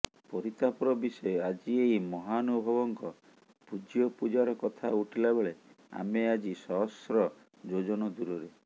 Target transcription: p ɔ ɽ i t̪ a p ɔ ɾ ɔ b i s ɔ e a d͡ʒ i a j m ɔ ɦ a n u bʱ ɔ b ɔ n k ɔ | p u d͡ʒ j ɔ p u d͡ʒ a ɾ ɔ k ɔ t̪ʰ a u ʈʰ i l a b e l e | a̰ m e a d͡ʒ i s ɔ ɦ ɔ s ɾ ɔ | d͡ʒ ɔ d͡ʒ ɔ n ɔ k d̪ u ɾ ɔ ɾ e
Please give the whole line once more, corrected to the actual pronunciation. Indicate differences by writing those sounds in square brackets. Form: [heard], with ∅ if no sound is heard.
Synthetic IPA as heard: p ɔ [ɾ] i t̪ a p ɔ ɾ ɔ b i s ɔ e a d͡ʒ i [e] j m ɔ ɦ a n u bʱ ɔ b ɔ [ŋ] k ɔ | p u d͡ʒ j ɔ p u d͡ʒ a ɾ ɔ k ɔ t̪ʰ a u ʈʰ i l a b e [ɭ] e | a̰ m e a d͡ʒ i s ɔ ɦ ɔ s ɾ ɔ | d͡ʒ [o] d͡ʒ ɔ n ɔ [∅] d̪ u ɾ ɔ ɾ e